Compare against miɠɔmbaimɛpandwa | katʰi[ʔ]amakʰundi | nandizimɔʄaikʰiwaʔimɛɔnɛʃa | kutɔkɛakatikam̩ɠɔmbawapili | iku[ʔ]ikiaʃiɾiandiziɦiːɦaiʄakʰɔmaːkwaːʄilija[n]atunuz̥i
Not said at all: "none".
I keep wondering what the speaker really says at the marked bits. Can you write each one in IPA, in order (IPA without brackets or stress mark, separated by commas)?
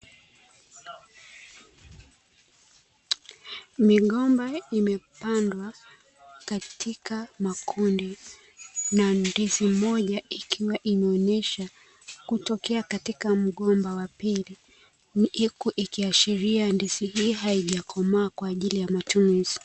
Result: k, ʔ, m